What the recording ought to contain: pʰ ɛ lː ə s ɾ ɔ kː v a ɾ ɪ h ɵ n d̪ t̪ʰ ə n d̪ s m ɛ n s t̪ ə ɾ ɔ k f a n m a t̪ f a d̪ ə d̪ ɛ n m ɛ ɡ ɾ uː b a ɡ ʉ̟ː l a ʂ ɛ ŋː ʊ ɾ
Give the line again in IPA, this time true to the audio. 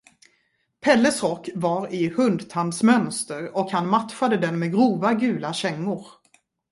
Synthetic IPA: pʰ ɛ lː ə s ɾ ɔ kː v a ɾ ɪ h ɵ n d̪ t̪ʰ a n d̪ s m œ n s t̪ ə ɾ ɔ k h a n m a t̪ f a d̪ ə d̪ ɛ n m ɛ ɡ ɾ uː v a ɡ ʉ̟ː l a ɕ ɛ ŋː ʊ ɾ